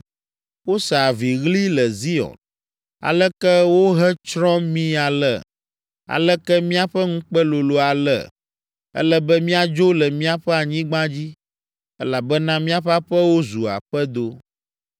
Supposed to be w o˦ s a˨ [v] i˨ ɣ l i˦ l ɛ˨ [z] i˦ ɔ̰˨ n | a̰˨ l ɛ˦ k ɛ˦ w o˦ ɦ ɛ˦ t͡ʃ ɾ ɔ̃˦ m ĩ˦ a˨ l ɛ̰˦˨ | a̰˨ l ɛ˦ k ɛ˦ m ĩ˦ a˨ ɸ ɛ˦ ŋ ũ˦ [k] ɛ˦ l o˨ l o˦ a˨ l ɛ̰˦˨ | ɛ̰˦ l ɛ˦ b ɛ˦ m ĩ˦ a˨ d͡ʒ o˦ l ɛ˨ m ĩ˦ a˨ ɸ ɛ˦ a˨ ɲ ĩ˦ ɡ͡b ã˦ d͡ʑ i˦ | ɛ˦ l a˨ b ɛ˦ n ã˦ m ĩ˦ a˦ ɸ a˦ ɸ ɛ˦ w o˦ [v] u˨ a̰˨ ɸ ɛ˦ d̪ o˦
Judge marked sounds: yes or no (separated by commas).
yes, yes, no, no